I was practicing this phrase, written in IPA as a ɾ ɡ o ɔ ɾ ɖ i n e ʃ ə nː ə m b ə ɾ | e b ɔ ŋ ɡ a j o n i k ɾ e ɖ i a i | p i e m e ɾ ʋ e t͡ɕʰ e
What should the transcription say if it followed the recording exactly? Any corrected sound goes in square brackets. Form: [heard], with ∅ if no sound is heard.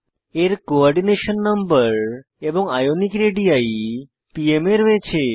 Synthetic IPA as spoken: [e] ɾ [k] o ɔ ɾ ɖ i n e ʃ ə nː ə m b ə ɾ | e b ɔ ŋ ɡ a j o n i k ɾ e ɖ i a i | p i e m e ɾ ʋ e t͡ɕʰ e